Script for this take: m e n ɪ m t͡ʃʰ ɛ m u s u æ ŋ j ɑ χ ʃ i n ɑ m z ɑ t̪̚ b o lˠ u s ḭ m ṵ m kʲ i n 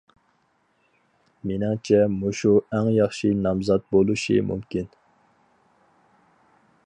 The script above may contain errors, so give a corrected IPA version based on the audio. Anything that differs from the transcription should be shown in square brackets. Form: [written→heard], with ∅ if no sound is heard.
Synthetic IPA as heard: m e n ɪ [m→ŋ] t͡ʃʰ ɛ m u [s→ʃ] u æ ŋ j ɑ χ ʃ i n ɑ m z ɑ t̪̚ b o lˠ u [s→ʃ] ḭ m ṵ m kʲ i n